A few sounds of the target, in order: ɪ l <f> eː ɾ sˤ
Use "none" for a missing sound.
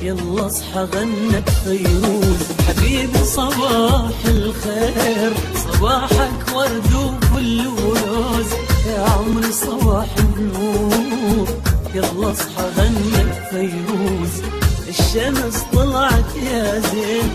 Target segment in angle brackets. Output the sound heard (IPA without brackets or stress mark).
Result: x